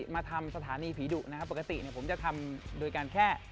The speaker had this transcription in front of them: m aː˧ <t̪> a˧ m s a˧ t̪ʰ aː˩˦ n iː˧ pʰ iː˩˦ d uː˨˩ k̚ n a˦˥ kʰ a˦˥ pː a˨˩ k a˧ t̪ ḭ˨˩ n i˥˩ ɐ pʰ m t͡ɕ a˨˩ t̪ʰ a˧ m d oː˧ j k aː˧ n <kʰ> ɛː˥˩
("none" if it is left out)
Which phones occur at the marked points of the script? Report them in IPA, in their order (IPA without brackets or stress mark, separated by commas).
t̪ʰ, kʰ